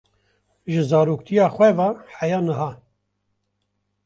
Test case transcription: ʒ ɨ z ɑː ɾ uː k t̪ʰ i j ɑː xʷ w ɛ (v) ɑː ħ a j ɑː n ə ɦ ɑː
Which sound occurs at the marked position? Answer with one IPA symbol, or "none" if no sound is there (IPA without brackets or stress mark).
v